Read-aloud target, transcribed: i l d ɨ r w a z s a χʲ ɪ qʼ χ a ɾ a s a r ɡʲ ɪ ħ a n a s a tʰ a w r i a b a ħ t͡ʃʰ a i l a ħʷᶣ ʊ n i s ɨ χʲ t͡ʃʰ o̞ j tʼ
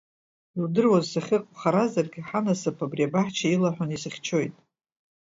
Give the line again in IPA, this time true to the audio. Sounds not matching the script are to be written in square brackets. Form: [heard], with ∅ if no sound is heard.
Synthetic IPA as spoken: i l d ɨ r w a z s a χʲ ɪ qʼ χ a ɾ a [z] a r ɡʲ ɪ ħ a n a s a [pʰ] a [b] r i a b a ħ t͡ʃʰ a i l a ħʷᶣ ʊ n i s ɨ χʲ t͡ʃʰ o̞ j tʼ